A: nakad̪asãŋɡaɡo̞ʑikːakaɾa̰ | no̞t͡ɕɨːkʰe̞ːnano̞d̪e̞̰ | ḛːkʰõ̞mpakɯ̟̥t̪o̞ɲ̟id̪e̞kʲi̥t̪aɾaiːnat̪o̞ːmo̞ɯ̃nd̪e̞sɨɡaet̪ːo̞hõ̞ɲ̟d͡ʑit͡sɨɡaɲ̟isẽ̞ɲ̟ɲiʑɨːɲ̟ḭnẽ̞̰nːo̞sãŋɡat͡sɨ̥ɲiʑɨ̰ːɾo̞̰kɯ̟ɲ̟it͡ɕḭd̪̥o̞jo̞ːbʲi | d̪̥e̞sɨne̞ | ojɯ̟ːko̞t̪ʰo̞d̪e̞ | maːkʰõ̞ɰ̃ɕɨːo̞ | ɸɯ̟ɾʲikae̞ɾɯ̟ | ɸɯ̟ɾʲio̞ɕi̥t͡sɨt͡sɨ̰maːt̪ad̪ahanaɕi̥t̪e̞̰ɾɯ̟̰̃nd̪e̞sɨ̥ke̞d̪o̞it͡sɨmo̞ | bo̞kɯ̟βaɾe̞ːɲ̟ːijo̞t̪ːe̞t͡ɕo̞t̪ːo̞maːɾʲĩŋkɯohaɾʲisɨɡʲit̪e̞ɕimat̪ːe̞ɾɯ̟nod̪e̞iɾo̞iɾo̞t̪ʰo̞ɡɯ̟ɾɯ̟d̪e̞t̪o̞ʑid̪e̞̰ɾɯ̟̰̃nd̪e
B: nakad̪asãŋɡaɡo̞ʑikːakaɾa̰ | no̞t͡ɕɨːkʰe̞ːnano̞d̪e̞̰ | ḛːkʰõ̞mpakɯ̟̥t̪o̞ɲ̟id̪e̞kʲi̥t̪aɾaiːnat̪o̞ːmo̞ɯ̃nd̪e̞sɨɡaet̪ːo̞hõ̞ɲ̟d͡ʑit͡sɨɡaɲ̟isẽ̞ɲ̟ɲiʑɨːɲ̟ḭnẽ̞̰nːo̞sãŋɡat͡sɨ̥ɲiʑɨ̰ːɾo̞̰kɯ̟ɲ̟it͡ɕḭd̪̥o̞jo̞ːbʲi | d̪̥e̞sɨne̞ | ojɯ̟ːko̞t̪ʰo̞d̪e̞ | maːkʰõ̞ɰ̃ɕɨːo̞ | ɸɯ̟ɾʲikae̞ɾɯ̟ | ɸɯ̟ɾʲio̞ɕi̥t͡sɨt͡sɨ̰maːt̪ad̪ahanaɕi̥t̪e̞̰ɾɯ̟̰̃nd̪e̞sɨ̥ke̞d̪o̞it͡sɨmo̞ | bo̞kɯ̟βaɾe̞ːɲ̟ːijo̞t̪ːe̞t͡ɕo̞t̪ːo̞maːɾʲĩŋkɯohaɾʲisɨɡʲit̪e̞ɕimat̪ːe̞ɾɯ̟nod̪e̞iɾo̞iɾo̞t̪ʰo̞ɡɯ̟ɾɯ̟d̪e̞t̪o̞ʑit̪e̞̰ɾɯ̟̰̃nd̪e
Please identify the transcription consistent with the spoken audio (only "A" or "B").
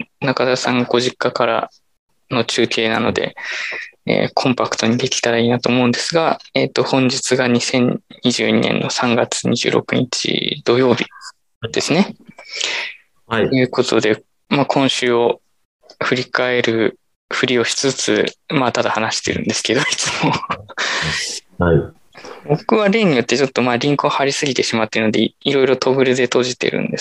B